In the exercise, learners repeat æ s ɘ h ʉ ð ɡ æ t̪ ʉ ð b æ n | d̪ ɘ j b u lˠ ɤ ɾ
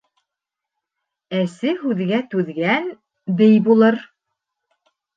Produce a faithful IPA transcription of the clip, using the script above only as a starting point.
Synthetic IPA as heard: æ s ɘ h ʉ ð ɡ æ t̪ ʉ ð ɡ æ n | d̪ ɘ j b u lˠ ɤ ɾ